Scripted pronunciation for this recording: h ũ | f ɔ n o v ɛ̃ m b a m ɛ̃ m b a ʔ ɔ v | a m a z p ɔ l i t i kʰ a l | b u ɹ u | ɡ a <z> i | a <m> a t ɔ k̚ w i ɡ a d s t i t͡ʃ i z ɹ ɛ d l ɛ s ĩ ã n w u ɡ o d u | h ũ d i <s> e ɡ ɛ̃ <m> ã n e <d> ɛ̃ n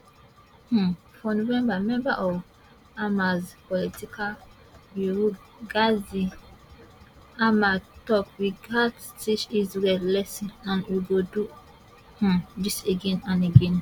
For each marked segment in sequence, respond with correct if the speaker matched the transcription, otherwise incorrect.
correct, correct, correct, incorrect: n, incorrect: ɡ

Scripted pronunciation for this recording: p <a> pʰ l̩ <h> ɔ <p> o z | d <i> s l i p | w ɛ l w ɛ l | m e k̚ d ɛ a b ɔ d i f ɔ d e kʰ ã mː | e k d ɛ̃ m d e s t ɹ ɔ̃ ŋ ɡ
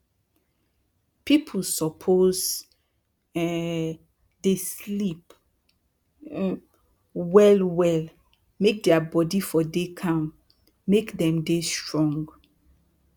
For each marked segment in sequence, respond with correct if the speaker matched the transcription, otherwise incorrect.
incorrect: i, incorrect: s, incorrect: pʰ, incorrect: e

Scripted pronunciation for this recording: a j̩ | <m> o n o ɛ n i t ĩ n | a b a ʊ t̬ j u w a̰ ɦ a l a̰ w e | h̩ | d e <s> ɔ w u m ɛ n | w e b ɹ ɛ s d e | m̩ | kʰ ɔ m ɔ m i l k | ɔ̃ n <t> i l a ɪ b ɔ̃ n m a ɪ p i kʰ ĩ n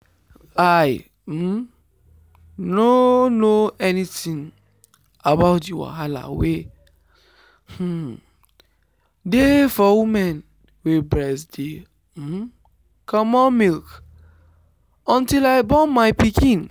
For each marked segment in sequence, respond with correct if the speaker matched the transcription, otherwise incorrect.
incorrect: n, incorrect: f, correct

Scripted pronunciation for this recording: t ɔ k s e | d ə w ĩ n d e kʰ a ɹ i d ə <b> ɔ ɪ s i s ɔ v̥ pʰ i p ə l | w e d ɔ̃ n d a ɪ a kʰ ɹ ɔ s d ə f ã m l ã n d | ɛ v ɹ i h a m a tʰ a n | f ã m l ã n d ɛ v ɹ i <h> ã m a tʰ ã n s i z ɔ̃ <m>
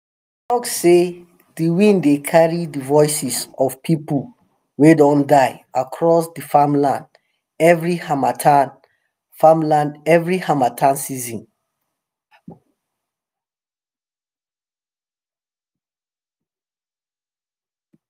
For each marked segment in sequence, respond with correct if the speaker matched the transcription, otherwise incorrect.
incorrect: v, correct, incorrect: n

